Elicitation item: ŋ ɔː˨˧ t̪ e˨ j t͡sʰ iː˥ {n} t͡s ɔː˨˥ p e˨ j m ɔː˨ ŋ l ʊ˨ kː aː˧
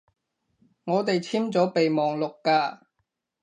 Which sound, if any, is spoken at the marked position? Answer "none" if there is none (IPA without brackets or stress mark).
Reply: m